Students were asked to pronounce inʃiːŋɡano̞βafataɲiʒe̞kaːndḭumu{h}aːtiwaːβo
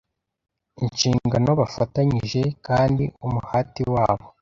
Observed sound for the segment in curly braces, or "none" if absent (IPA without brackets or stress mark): h